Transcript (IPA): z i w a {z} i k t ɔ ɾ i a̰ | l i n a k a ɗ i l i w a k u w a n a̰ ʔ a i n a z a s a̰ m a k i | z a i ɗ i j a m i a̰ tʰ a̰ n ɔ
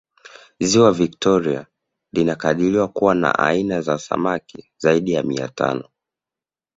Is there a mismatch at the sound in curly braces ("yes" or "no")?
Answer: yes